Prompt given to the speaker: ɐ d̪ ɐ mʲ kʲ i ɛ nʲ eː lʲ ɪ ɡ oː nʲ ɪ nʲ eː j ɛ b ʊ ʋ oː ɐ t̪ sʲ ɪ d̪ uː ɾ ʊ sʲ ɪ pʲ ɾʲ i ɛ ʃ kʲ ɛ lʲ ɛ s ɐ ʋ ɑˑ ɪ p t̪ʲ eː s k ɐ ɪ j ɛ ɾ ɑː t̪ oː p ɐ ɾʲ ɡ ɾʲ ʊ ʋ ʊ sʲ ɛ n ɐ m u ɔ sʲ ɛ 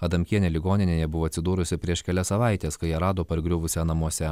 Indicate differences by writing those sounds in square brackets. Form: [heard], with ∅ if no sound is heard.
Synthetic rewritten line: ɐ d̪ ɐ mʲ kʲ i ɛ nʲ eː lʲ ɪ ɡ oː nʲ ɪ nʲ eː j ɛ b ʊ ʋ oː ɐ t̪ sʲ ɪ d̪ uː ɾ ʊ sʲ ɪ pʲ ɾʲ i ɛ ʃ kʲ ɛ lʲ ɛ s ɐ ʋ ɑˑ ɪ [∅] t̪ʲ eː s k ɐ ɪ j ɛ ɾ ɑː [d̪] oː p ɐ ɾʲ ɡ ɾʲ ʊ ʋ ʊ sʲ ɛ n ɐ m u ɔ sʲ ɛ